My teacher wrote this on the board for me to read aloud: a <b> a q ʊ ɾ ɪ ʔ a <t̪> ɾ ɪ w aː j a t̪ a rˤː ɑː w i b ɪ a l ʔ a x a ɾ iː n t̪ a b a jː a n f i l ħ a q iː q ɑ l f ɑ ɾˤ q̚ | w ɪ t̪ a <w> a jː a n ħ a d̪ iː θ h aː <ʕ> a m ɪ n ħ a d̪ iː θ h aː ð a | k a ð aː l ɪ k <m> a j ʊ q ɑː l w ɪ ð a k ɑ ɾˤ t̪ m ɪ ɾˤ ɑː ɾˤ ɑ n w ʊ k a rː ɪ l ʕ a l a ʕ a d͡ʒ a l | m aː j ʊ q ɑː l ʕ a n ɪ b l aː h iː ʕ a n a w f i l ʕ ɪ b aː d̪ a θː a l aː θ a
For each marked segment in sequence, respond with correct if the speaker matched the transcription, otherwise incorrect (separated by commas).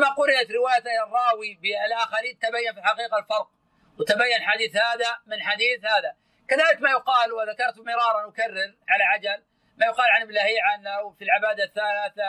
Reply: incorrect, correct, incorrect, incorrect, correct